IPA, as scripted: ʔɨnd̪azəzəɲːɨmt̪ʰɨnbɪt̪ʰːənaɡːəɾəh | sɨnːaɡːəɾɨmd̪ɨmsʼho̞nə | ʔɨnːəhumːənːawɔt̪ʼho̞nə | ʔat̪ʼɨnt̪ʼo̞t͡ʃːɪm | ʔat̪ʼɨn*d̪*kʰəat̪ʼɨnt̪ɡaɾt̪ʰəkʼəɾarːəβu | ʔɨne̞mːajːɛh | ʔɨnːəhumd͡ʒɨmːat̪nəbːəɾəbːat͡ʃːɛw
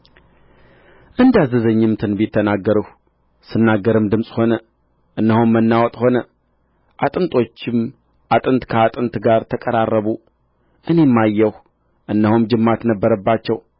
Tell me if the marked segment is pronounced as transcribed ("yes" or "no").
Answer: no